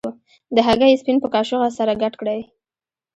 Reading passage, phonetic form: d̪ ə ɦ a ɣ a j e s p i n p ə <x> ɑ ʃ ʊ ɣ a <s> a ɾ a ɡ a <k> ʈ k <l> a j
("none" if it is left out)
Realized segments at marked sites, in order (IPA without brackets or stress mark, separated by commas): k, s, none, ɽ